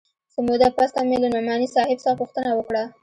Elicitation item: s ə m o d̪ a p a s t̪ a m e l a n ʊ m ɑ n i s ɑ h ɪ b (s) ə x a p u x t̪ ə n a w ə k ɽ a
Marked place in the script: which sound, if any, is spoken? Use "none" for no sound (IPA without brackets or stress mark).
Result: s